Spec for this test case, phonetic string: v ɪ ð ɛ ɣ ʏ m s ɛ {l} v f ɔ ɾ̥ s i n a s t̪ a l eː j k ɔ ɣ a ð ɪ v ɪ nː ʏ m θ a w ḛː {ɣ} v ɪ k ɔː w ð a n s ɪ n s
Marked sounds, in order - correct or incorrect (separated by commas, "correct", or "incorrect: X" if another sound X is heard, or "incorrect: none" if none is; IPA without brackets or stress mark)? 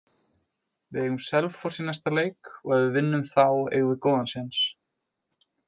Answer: correct, correct